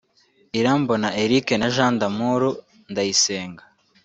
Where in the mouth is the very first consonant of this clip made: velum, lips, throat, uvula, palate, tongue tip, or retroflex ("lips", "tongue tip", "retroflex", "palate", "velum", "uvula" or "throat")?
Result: tongue tip